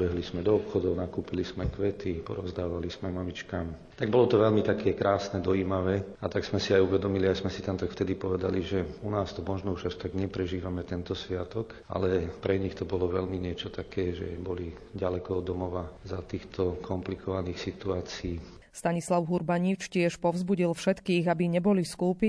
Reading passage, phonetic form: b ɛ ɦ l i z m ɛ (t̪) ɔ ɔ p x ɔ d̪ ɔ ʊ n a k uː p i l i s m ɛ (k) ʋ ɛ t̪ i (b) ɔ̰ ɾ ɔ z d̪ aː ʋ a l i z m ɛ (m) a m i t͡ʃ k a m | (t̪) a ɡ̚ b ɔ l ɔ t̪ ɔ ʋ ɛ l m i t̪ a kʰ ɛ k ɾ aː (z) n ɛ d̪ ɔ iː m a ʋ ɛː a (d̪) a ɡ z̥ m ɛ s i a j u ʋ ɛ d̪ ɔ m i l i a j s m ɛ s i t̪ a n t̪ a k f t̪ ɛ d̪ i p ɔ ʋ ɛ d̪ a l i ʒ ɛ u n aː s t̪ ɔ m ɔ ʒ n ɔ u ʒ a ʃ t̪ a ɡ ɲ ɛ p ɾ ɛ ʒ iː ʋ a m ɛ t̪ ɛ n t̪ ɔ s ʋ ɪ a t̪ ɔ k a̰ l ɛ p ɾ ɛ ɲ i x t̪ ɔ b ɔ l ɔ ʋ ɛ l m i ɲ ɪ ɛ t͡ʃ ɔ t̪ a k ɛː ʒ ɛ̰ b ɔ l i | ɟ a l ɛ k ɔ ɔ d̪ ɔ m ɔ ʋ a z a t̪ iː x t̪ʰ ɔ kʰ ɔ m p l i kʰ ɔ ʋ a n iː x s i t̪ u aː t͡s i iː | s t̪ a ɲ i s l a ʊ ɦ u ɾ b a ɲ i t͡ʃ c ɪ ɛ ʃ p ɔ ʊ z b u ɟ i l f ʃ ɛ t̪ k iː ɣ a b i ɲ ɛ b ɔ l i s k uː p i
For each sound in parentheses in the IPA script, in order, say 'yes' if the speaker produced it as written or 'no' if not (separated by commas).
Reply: no, yes, no, yes, yes, no, no